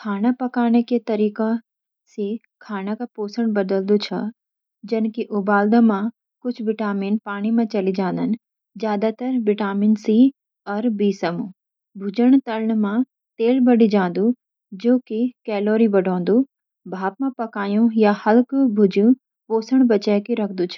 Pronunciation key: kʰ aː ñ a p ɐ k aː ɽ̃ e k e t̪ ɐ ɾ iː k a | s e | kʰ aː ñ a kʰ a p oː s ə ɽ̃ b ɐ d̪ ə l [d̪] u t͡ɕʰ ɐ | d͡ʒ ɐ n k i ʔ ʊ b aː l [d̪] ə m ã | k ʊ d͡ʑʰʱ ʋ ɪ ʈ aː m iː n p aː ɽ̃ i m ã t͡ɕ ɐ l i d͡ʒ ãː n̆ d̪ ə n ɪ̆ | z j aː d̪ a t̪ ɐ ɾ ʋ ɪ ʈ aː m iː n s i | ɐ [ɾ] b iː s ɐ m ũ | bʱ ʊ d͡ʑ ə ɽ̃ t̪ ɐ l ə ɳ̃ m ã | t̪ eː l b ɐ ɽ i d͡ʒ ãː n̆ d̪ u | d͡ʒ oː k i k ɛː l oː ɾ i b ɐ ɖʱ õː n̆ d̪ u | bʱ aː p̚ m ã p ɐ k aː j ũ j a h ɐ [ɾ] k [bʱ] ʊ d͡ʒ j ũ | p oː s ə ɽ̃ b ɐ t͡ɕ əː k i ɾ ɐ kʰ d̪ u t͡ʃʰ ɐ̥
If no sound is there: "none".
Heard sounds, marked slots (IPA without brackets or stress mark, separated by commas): d̪, d̪, ɾ, l, bʱ